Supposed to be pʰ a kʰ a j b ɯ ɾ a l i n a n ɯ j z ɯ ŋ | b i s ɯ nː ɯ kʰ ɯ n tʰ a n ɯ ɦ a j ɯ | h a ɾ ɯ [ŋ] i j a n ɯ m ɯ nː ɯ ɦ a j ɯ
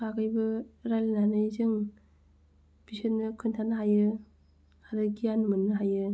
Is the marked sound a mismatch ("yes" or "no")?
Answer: yes